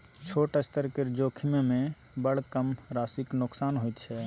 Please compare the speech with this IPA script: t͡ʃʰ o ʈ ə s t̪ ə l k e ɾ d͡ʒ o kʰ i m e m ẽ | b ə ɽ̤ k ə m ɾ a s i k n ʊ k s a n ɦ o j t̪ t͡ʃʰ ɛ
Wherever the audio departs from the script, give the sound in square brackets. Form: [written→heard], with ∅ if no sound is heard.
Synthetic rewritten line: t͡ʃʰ o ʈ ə s t̪ ə [l→ɾ] k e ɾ d͡ʒ o kʰ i m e m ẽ | b ə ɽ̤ k ə m ɾ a s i k n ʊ k s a n ɦ o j t̪ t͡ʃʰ ɛ